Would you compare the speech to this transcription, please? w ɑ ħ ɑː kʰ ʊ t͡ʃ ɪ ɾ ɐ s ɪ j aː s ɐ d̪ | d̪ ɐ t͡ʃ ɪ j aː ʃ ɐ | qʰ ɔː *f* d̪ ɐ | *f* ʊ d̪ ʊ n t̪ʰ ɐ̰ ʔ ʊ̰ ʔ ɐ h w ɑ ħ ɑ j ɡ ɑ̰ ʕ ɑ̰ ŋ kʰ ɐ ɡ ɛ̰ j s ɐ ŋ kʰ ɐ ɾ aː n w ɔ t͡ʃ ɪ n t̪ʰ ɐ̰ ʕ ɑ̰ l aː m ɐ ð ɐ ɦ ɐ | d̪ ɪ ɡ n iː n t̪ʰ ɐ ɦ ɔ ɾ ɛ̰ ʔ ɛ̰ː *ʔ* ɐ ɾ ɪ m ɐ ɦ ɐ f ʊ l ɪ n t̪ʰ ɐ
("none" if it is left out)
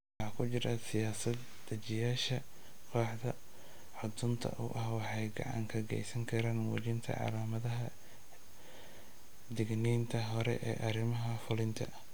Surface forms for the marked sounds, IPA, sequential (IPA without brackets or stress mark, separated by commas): ħ, ħ, ʔ